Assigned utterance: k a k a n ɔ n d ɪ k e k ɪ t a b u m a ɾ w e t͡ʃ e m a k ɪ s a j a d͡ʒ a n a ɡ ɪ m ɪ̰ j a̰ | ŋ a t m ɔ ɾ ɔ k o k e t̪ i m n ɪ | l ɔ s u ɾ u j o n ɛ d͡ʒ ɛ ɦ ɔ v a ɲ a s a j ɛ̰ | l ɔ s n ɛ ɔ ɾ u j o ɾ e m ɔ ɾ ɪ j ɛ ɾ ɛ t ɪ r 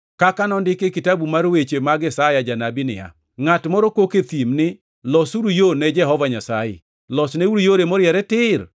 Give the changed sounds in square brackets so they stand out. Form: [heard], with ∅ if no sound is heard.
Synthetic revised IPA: k a k a n ɔ n d ɪ k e k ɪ t a b u m a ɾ w e t͡ʃ e m a [ɡ] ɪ s a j a d͡ʒ a n a [b] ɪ [n] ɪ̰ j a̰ | ŋ a t m ɔ ɾ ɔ k o k e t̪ i m n ɪ | l ɔ s u ɾ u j o n ɛ d͡ʒ ɛ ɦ ɔ v a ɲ a s a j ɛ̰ | l ɔ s n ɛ [u] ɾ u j o ɾ e m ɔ ɾ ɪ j ɛ ɾ ɛ t ɪ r